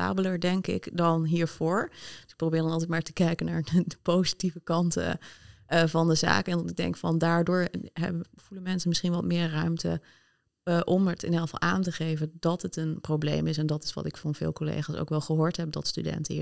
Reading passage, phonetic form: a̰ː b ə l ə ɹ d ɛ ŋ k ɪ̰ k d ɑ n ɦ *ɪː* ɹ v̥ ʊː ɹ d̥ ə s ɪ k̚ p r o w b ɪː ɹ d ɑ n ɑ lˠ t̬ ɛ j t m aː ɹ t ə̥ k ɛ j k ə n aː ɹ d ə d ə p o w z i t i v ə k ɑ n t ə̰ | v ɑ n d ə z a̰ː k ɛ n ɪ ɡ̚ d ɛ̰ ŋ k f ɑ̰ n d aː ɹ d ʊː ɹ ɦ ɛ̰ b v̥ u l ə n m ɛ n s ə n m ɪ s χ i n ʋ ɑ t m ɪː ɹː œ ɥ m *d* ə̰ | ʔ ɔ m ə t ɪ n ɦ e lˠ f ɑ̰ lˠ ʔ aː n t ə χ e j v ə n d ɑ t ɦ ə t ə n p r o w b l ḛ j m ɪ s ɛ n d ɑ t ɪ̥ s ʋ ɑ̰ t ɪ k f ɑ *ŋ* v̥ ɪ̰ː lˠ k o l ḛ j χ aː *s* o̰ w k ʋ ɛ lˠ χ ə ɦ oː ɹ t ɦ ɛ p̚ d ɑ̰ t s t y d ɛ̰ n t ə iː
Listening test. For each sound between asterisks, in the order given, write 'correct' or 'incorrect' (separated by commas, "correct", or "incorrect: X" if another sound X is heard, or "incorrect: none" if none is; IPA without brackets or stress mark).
incorrect: iː, incorrect: t, incorrect: n, correct